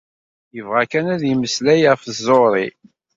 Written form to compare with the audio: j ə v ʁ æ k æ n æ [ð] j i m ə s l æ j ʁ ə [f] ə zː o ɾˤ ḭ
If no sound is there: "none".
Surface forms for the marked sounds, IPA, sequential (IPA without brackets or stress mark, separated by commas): ð, f